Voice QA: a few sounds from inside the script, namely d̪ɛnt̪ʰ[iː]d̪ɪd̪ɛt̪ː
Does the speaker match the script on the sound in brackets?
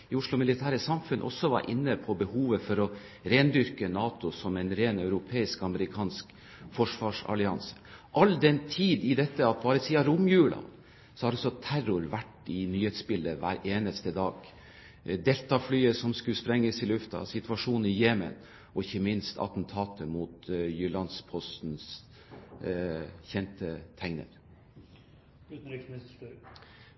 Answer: yes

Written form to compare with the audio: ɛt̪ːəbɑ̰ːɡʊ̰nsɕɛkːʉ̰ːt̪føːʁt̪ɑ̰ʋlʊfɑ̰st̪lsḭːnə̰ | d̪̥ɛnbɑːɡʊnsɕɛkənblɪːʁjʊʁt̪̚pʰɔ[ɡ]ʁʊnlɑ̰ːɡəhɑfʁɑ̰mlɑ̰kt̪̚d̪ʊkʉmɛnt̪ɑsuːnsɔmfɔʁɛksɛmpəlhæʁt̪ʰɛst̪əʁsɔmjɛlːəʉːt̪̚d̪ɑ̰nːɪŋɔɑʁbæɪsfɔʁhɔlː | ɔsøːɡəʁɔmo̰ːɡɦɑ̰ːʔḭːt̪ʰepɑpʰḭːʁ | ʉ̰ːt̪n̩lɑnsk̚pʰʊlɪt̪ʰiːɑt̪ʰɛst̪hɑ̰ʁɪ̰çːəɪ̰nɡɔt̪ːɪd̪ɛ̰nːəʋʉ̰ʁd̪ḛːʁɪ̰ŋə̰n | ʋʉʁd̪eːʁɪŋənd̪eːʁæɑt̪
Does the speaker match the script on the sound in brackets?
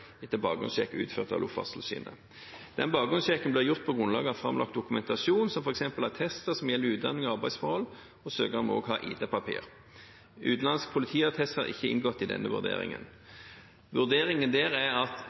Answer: yes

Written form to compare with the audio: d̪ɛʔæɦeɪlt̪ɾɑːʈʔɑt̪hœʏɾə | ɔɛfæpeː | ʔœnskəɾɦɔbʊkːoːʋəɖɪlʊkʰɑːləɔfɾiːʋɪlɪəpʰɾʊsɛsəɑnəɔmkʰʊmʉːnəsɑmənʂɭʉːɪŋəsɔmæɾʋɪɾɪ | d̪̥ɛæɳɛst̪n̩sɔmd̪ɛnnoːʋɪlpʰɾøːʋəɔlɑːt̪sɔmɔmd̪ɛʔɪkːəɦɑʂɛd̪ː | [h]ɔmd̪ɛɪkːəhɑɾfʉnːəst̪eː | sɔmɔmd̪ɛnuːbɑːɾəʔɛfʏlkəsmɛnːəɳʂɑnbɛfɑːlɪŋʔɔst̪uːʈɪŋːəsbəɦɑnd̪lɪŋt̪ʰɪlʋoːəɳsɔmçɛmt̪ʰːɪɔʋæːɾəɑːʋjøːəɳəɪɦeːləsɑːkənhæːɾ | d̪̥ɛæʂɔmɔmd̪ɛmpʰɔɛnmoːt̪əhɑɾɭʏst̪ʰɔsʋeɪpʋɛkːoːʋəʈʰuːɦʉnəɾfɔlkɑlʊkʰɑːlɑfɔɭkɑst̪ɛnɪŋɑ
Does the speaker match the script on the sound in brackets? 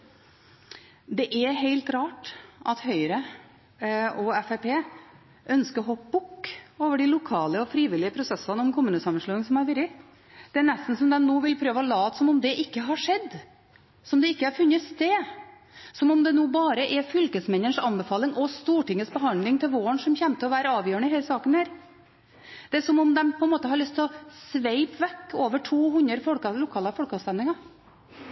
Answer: no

